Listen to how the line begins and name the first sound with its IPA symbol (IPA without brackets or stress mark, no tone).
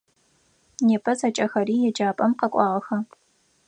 n